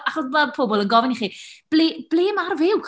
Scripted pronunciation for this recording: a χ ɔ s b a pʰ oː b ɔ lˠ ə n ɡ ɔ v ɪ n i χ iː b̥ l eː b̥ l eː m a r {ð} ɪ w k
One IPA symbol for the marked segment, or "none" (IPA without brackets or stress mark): v